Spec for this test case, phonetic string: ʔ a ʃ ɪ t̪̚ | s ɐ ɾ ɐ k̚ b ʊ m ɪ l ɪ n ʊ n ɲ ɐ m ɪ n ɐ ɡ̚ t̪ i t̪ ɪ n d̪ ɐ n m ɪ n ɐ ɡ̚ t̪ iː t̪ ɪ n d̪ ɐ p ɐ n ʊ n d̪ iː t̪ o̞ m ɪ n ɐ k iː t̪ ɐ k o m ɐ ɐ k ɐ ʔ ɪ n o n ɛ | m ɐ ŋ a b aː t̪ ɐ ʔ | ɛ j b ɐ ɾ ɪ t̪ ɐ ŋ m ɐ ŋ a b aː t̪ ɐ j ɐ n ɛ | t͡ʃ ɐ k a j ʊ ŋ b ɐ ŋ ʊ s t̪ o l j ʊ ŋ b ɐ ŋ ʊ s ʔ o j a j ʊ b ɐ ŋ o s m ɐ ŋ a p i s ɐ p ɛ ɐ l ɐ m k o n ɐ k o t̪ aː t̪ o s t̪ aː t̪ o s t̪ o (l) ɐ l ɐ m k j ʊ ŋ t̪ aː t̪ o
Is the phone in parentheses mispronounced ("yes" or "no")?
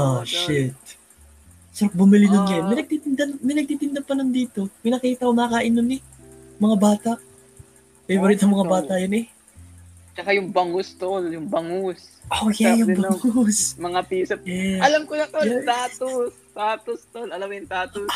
no